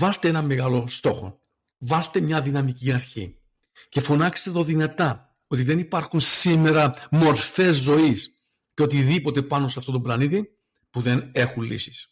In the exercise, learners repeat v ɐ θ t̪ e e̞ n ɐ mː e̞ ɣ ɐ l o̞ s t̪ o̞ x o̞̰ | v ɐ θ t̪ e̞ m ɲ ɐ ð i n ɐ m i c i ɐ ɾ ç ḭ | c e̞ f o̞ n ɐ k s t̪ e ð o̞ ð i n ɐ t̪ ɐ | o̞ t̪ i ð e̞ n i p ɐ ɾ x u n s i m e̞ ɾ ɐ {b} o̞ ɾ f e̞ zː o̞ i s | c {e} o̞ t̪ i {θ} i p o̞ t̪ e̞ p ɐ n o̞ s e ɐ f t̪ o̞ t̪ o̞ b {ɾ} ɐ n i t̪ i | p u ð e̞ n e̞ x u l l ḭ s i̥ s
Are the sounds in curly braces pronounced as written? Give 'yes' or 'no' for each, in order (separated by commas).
no, yes, no, no